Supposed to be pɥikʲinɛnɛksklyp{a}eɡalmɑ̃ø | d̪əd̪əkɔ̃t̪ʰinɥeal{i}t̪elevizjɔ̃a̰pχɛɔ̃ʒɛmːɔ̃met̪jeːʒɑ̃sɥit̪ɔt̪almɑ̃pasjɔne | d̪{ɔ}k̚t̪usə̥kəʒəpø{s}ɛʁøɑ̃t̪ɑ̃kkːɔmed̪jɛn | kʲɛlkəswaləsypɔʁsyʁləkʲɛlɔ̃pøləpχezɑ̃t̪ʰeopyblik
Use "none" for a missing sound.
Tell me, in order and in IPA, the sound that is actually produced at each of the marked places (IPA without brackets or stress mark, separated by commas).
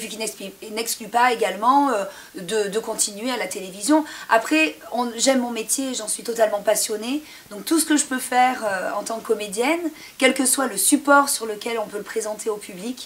a, a, ɔ̃, f